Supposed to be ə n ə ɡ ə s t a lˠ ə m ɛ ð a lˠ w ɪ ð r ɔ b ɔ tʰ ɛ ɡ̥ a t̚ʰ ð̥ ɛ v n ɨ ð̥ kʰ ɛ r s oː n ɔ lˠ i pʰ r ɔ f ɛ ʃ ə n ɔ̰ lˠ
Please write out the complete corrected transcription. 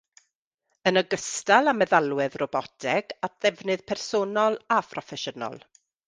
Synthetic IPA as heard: ə n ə ɡ ə s t a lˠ a m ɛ ð a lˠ w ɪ ð r ɔ b ɔ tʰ ɛ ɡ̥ a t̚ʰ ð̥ ɛ v n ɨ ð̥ pʰ ɛ r s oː n ɔ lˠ a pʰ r ɔ f ɛ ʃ ə n ɔ̰ lˠ